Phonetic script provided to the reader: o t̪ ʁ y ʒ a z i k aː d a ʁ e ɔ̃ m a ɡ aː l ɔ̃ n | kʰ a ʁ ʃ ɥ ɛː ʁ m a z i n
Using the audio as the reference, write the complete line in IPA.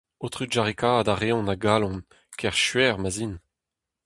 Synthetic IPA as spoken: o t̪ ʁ y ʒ a ʁ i k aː d a ʁ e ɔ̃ n a ɡ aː l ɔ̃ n | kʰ ɛ ʁ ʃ ɥ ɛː ʁ m a z i n